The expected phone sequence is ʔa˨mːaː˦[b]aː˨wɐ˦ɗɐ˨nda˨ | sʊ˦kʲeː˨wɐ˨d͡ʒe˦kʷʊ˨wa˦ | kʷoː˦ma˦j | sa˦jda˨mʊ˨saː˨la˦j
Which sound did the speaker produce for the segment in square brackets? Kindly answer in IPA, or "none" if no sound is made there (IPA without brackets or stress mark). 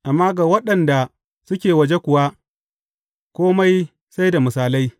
ɡ